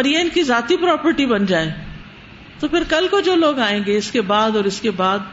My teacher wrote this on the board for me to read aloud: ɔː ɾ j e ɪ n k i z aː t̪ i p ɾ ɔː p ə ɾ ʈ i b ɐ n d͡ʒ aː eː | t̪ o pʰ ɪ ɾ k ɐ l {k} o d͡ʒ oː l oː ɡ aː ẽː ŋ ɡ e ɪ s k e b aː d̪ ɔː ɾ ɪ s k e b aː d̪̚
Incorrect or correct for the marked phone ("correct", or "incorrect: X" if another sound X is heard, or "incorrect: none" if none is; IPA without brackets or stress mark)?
correct